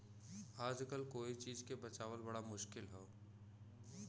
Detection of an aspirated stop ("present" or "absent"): absent